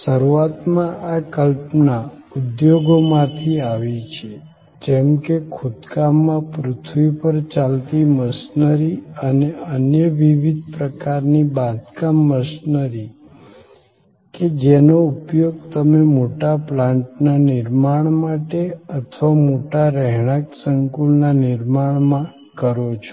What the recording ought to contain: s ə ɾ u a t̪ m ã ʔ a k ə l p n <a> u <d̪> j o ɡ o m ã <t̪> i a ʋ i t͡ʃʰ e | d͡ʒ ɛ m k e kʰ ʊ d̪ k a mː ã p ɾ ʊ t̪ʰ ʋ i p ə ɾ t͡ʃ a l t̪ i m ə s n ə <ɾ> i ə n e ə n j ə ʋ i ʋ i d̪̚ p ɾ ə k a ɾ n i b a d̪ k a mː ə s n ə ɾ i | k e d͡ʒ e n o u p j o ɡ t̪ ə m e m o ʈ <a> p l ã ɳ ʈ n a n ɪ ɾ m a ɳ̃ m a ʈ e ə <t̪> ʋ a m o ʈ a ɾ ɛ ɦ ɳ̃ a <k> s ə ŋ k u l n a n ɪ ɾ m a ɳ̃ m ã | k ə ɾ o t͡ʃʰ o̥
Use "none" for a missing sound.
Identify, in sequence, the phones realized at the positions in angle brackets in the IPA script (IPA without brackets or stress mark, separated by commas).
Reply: a, d̪, t̪ʰ, ɾ, a, t̪ʰ, k